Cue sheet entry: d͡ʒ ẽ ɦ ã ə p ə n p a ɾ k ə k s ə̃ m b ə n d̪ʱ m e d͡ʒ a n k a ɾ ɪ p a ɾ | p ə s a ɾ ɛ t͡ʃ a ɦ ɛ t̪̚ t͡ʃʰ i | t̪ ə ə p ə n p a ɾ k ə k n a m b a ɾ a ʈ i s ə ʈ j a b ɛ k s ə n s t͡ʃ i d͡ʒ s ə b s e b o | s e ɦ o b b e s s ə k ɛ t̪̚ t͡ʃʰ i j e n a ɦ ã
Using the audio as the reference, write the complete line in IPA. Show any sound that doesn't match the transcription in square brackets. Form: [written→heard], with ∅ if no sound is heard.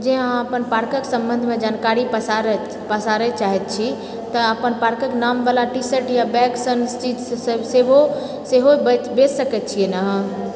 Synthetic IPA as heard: d͡ʒ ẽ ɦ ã ə p ə n p a ɾ k ə k s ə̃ m b ə n d̪ʱ m e d͡ʒ a n k a ɾ [ɪ→i] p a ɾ | p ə s a ɾ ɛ t͡ʃ a ɦ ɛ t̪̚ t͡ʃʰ i | t̪ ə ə p ə n p a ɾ k ə k n a m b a [ɾ→l] a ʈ i s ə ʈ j a b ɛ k s ə n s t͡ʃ i d͡ʒ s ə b s e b o | s e ɦ o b b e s s ə k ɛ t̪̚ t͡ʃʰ i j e n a ɦ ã